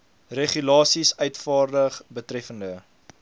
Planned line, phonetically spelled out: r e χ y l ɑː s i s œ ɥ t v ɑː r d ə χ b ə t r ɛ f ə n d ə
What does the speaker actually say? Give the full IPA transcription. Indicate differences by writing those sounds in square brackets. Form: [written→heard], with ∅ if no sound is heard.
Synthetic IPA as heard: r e χ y l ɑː s i s œ ɥ t [v→f] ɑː r d ə χ b ə t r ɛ f ə n d ə